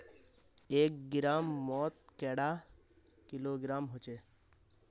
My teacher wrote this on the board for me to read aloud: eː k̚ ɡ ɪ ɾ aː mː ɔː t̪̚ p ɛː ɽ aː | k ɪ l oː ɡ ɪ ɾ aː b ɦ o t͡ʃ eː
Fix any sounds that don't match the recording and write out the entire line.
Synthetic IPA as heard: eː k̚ ɡ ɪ ɾ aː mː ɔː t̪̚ k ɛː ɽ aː | k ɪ l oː ɡ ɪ ɾ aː m ɦ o t͡ʃ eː